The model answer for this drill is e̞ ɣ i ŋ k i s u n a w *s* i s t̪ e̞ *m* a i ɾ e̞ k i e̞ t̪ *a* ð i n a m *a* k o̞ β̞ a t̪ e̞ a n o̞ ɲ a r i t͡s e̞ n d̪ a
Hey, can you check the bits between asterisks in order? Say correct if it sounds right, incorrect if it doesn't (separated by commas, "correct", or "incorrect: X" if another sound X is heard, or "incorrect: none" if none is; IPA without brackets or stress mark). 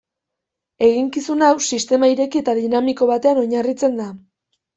correct, correct, correct, incorrect: i